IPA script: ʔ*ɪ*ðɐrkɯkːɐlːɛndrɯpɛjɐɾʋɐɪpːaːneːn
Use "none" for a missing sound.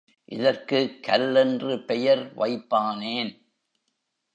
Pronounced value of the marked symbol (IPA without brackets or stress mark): ɪ